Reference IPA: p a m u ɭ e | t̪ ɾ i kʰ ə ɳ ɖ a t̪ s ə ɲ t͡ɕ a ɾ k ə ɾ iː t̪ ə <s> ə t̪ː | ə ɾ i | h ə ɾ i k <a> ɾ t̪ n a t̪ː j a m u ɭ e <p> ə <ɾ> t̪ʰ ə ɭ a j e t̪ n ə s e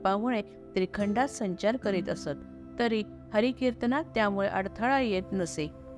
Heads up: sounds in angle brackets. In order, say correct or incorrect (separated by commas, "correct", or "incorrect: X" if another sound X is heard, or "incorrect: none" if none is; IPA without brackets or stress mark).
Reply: correct, incorrect: i, incorrect: ʔ, incorrect: ɽ